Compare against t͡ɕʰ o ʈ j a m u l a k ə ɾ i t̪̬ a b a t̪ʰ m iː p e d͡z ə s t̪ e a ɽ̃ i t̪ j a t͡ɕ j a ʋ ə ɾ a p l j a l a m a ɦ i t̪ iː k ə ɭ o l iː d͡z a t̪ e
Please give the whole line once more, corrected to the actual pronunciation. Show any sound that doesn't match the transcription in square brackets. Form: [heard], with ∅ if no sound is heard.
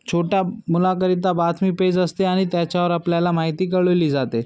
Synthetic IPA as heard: t͡ɕʰ o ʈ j a m u l a k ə ɾ i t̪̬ a b a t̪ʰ m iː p e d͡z ə s t̪ e a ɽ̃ i t̪ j a t͡ɕ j a ʋ ə ɾ a p l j a l a m a ɦ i t̪ iː k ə ɭ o l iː d͡z a t̪ e